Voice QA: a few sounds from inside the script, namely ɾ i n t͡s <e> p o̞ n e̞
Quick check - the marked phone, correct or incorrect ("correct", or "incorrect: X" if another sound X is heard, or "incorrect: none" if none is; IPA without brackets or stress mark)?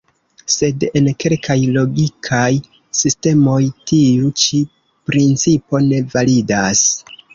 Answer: incorrect: i